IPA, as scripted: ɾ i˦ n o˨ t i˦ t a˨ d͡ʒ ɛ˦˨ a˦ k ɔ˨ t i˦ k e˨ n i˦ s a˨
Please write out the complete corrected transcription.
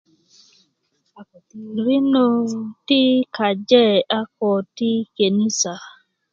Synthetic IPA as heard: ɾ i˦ n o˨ t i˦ k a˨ d͡ʒ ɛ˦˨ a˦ k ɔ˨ t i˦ k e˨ n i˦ s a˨